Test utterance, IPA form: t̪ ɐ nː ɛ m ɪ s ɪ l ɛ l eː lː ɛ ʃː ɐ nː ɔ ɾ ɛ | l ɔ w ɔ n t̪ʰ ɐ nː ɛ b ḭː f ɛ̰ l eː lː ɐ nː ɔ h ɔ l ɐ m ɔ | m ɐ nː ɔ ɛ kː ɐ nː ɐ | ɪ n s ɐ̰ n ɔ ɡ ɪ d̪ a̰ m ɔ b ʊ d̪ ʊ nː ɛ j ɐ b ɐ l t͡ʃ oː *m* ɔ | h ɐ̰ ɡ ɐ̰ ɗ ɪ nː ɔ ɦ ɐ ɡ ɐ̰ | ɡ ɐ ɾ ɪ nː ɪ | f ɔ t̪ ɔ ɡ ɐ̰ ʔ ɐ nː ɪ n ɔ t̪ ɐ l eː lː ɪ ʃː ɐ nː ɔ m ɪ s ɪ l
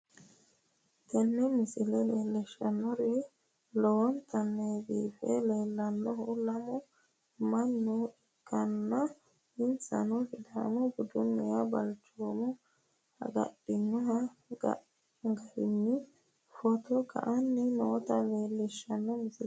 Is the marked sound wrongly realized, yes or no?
no